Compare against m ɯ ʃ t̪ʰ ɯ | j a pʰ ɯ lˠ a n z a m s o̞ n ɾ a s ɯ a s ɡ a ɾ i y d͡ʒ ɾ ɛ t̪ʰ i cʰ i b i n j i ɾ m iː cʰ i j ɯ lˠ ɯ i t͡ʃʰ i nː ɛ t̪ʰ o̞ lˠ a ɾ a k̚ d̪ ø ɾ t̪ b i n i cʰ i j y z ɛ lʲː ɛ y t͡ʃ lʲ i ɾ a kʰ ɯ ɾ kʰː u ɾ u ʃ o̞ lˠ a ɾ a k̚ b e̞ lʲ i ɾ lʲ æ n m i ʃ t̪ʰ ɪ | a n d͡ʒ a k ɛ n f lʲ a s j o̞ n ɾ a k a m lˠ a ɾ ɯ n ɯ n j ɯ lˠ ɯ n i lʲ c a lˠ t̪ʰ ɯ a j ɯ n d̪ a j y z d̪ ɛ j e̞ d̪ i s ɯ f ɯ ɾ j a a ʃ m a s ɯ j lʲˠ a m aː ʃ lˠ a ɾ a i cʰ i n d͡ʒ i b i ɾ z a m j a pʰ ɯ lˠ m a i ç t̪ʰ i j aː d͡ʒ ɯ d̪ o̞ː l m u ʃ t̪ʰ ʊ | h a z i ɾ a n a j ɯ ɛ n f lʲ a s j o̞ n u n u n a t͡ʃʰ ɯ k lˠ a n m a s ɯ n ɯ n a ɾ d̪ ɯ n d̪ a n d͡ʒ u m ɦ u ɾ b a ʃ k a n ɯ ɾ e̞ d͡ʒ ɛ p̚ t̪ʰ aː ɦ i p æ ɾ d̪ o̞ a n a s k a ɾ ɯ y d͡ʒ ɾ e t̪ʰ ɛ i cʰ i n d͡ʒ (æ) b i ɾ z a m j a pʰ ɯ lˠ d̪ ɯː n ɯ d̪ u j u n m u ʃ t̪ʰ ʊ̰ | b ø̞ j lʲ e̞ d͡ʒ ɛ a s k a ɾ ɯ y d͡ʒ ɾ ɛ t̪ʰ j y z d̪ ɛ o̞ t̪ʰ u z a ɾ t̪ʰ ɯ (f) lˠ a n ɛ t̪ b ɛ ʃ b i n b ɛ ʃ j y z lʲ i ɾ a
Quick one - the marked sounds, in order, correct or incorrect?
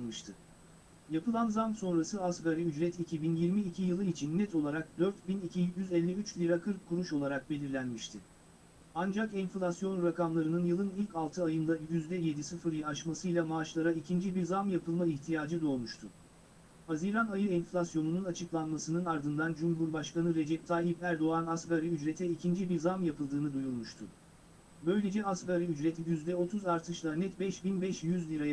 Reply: incorrect: i, incorrect: ʃ

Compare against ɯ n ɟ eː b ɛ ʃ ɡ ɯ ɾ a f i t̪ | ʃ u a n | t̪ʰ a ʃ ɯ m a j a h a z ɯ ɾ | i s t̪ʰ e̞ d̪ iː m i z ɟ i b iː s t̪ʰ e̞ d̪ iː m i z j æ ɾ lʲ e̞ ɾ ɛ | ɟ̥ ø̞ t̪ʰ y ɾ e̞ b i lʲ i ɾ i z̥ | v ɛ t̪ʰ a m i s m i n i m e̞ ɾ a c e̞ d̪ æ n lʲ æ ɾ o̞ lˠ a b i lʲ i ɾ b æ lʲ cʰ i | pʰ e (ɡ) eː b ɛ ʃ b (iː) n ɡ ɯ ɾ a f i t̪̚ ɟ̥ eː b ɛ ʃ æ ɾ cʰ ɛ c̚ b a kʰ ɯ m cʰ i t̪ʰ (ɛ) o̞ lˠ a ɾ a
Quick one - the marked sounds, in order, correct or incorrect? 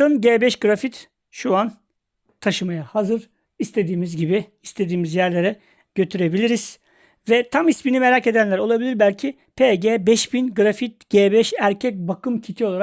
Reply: incorrect: ɟ, incorrect: i, incorrect: i

